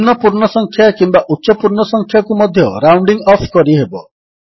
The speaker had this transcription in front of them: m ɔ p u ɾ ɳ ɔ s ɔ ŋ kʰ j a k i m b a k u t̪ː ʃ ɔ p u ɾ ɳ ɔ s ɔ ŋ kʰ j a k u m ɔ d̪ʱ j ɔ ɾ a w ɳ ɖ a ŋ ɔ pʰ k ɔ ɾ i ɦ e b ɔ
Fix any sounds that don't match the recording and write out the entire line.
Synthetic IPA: n ɔ p u ɾ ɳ ɔ s ɔ ŋ kʰ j a k i m b a ʔ u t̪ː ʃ ɔ p u ɾ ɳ ɔ s ɔ ŋ kʰ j a k u m ɔ d̪ʱ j ɔ ɾ a w ɳ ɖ i ŋ ɔ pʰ k ɔ ɾ i ɦ e b ɔ